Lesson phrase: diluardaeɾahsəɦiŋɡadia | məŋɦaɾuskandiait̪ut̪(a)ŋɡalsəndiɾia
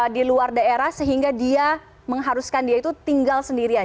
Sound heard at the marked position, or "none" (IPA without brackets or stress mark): i